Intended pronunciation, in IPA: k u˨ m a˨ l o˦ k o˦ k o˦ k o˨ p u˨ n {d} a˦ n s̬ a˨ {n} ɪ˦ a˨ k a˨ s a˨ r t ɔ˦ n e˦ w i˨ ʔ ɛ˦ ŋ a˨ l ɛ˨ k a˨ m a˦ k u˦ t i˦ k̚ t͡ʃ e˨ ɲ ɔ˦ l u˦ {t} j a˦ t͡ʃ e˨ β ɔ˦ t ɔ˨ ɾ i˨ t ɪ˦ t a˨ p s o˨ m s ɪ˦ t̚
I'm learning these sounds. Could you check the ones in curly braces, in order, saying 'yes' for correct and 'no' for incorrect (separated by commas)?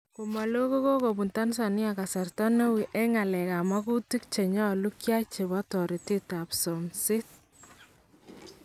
no, yes, no